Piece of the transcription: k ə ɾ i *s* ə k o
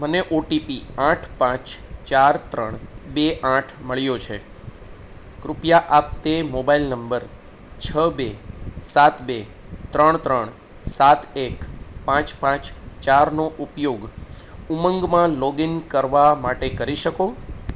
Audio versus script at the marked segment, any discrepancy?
yes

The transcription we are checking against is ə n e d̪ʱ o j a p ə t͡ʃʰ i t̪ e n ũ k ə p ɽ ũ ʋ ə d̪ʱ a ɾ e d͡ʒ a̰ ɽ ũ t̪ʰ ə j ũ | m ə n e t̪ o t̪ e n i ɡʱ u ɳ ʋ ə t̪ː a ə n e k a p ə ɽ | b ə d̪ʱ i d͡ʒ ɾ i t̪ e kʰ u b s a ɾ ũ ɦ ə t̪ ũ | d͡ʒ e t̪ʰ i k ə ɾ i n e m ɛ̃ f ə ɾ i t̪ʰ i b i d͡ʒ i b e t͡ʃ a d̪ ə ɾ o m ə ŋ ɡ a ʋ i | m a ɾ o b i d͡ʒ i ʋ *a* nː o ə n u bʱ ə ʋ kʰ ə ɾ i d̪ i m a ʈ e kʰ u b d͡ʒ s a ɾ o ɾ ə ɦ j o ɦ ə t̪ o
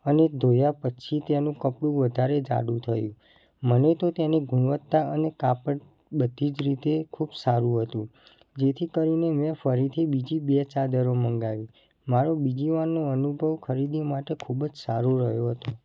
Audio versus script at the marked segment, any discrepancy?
no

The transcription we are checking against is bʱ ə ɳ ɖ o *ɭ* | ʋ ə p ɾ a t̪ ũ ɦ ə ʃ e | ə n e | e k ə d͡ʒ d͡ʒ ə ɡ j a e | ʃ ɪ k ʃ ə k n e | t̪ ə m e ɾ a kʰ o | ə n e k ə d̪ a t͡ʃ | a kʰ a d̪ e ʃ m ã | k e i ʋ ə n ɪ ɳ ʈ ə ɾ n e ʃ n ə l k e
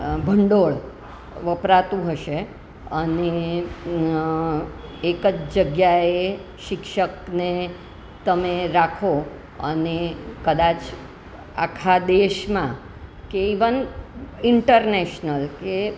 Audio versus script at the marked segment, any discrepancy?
no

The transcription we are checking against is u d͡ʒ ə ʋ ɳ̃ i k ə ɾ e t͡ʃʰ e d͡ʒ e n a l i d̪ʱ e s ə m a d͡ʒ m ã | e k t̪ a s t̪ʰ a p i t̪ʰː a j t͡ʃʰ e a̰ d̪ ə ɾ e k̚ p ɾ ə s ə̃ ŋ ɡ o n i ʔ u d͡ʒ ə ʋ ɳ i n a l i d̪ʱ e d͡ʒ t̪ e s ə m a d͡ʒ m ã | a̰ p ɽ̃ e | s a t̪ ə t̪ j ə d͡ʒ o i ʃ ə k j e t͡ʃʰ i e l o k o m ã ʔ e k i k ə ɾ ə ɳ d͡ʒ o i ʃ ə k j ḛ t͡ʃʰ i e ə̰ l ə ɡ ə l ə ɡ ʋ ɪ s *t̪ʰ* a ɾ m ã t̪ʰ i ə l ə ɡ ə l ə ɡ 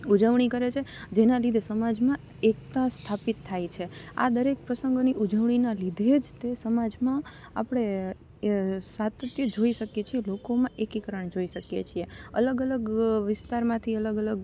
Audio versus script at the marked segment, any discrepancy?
yes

